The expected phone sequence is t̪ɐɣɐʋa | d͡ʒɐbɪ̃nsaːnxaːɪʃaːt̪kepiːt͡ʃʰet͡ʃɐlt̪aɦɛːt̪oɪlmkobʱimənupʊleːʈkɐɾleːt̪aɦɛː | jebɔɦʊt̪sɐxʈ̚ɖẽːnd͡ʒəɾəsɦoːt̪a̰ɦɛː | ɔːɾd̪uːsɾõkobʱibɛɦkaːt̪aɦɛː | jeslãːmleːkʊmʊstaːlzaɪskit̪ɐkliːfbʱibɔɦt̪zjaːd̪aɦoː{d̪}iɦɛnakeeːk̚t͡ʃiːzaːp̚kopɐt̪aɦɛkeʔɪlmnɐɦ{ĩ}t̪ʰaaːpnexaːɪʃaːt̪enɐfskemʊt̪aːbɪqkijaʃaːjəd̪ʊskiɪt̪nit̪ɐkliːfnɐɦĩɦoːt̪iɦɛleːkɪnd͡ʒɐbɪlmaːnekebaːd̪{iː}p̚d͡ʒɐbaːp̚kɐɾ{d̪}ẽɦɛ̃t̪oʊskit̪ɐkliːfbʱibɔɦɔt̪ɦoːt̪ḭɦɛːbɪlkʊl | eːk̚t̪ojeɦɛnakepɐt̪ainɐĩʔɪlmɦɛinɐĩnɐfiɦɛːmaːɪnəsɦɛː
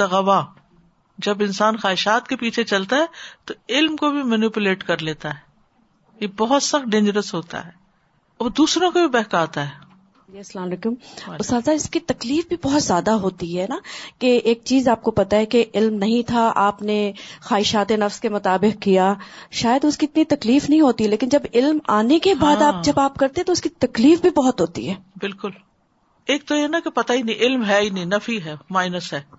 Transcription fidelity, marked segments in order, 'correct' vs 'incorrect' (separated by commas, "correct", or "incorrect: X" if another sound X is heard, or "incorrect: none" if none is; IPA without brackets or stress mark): incorrect: t̪, correct, incorrect: aː, incorrect: t̪